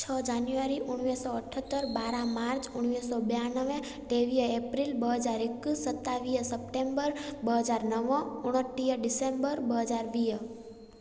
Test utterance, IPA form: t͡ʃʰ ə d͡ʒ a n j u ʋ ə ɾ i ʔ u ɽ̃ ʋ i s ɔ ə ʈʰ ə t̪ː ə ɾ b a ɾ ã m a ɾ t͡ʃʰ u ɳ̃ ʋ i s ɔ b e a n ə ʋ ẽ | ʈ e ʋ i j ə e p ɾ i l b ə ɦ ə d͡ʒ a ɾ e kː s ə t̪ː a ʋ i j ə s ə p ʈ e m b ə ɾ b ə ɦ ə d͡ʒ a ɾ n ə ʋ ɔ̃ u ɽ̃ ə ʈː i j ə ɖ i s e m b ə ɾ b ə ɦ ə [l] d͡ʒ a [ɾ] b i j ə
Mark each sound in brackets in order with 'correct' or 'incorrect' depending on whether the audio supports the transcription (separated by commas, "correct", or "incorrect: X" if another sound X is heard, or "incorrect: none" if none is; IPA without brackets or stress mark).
incorrect: none, correct